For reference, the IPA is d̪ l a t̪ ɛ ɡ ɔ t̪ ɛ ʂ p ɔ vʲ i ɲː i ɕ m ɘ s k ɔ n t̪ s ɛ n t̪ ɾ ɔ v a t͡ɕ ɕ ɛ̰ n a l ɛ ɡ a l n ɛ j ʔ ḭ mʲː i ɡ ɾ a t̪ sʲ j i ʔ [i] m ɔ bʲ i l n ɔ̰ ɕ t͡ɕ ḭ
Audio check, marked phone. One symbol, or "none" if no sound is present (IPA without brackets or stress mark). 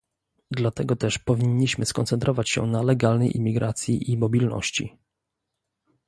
i